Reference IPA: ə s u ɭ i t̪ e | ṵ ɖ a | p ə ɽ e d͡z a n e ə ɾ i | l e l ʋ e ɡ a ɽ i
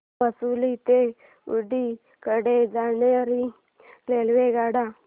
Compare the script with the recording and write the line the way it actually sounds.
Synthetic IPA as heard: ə s u l i t̪ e | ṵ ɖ i | k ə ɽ e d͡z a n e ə ɾ i | l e l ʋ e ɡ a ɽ a